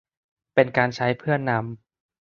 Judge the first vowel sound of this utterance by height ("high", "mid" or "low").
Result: mid